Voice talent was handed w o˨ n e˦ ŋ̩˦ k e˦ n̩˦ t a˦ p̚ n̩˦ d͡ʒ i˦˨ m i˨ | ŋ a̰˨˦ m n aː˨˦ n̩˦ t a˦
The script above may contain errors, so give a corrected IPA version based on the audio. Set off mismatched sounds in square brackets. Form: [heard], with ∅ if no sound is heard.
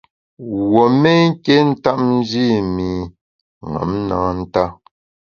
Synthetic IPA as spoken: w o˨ [m] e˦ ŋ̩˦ k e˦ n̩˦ t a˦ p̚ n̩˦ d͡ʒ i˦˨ m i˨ | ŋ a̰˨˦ m n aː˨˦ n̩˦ t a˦